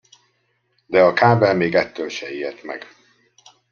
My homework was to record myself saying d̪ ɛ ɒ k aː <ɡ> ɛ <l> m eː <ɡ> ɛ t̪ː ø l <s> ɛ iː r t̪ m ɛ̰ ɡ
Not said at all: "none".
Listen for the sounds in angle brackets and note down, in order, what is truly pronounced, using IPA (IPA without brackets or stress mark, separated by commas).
b, l, ɡ, ʃ